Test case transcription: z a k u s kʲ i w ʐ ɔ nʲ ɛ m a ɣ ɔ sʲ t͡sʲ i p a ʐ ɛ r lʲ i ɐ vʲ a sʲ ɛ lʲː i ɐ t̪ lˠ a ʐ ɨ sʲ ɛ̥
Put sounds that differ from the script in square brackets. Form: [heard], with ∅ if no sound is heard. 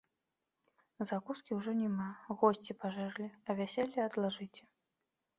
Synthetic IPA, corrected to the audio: z a k u s kʲ i w ʐ ɔ nʲ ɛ m a ɣ ɔ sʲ t͡sʲ i p a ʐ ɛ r lʲ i ɐ vʲ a sʲ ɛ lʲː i ɐ [d̪] lˠ a ʐ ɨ [t͡sʲ] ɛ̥